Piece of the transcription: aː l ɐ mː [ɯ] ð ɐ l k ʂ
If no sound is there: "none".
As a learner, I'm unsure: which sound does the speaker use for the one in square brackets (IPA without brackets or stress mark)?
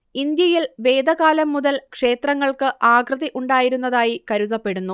u